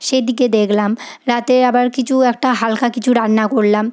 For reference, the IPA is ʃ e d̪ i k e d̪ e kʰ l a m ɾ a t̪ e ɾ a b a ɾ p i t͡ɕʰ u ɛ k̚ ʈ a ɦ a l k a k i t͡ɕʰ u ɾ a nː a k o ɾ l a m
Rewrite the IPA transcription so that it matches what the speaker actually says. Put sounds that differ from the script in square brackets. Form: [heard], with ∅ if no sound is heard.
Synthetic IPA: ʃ e d̪ i k e d̪ e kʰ l a m ɾ a t̪ e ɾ a b a ɾ [k] i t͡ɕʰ u ɛ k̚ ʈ a ɦ a l k a k i t͡ɕʰ u ɾ a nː a k o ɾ l a m